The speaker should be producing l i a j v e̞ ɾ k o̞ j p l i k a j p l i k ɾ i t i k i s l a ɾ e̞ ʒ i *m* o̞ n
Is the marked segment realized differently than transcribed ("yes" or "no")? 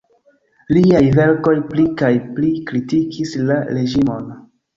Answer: no